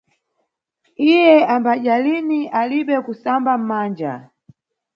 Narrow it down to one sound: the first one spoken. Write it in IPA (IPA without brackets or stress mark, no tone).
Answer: i